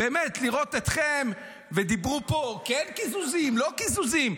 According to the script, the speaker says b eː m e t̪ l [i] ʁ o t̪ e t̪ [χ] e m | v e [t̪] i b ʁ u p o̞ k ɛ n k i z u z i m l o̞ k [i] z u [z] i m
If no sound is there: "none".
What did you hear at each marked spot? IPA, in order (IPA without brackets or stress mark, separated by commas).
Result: i, χ, d̪, i, z